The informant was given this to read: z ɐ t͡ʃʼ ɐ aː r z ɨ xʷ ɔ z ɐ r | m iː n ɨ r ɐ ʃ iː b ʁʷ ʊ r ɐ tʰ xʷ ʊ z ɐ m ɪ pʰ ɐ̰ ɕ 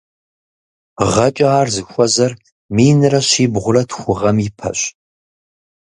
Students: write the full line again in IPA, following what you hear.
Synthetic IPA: ʁ ɐ t͡ʃʼ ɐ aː r z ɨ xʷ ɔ z ɐ r | m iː n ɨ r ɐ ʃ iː b ʁʷ ʊ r ɐ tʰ xʷ ʊ ʁ ɐ m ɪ pʰ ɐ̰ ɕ

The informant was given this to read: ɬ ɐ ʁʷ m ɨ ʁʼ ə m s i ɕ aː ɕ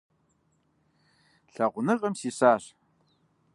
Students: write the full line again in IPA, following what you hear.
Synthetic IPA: ɬ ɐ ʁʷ n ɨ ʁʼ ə m s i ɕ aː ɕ

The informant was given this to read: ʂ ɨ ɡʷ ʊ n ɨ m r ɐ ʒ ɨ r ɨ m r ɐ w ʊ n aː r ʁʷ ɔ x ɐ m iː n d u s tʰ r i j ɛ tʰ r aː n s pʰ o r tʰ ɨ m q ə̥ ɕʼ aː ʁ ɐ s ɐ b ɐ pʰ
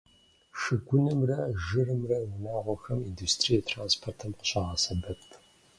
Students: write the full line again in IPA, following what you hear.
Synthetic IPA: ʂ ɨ ɡʷ ʊ n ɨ m r ɐ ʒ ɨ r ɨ m r ɐ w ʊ n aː ʁʷ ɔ x ɐ m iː n d u s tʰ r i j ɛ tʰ r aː n s pʰ o r tʰ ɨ m q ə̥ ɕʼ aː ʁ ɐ s ɐ b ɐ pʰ

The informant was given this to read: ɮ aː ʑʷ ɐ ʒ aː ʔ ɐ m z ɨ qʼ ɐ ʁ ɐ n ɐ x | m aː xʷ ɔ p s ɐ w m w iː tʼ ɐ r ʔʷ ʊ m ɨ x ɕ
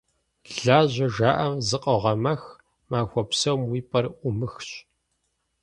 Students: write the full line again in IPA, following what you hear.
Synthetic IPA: ɮ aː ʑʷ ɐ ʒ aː ʔ ɐ m z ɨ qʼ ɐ ʁ ɐ m ɐ x | m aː xʷ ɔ p s ɐ w m w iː pʼ ɐ r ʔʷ ʊ m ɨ x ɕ

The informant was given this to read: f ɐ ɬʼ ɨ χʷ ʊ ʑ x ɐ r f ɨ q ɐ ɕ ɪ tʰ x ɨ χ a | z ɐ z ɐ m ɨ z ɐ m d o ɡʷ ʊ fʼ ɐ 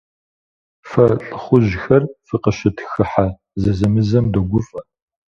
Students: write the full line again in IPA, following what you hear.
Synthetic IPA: f ɐ ɬʼ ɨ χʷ ʊ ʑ x ɐ r f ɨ q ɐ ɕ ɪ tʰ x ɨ ħ a | z ɐ z ɐ m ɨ z ɐ m d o ɡʷ ʊ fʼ ɐ

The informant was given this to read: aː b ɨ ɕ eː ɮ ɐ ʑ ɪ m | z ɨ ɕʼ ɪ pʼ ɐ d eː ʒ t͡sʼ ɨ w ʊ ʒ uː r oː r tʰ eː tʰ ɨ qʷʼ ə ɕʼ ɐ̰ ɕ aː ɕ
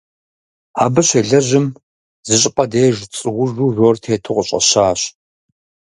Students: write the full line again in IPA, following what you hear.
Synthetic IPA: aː b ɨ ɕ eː ɮ ɐ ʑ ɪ m | z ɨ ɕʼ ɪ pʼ ɐ d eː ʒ t͡sʼ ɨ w ʊ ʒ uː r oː r tʰ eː tʰ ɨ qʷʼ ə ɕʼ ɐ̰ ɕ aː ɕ

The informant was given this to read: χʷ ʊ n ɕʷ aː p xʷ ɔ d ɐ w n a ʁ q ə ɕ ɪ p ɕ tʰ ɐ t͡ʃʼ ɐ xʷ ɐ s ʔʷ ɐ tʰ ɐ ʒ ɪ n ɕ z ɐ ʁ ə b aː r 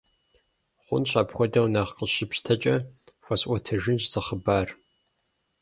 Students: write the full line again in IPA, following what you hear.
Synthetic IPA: χʷ ʊ n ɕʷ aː p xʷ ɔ d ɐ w n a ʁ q ə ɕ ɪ p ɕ tʰ ɐ t͡ʃʼ ɐ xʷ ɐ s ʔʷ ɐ tʰ ɐ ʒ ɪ n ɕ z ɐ χ ə b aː r

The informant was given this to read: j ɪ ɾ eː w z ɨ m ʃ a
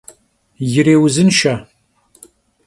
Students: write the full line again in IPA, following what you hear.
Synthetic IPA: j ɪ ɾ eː w z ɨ n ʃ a

